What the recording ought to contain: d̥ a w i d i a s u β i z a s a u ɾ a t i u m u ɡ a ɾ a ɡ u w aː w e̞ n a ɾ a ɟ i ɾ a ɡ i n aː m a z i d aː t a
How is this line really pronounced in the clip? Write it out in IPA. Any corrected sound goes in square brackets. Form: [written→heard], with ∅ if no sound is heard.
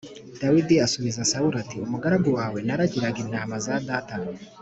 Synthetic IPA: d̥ a w i d i a s u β i z a s a u ɾ a t i u m u ɡ a ɾ a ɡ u w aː w e̞ n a ɾ a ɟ i ɾ a ɡ i n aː m a z [i→a] d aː t a